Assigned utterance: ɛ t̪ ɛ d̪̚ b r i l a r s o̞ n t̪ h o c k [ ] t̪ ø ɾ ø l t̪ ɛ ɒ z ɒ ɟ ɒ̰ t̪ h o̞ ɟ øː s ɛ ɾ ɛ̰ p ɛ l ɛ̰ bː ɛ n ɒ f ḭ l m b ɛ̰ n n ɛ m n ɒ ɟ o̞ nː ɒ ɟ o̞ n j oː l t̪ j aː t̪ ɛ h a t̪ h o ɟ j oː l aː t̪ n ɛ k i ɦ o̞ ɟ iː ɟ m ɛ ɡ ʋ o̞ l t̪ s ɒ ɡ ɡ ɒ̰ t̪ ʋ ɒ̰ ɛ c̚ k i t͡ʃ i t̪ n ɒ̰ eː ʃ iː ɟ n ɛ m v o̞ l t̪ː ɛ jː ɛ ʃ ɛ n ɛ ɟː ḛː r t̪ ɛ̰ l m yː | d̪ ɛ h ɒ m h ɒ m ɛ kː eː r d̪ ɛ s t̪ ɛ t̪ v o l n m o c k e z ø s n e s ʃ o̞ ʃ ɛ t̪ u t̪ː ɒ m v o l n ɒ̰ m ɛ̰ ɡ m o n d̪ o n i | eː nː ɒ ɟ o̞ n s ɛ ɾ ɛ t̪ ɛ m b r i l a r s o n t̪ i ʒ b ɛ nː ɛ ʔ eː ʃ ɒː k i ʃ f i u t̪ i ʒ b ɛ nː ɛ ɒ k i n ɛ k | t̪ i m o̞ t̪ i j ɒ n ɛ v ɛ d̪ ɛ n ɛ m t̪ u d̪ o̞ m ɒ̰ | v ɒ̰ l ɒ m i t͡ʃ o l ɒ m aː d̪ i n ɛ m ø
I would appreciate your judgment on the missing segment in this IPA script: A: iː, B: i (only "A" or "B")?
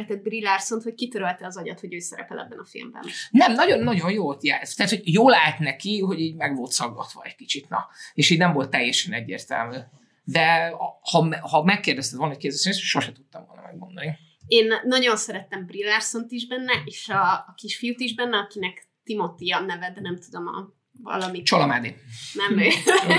B